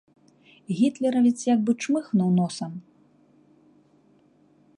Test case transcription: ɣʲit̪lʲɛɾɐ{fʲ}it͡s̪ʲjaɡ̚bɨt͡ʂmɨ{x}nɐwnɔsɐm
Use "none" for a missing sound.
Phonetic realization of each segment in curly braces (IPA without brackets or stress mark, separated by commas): vʲ, x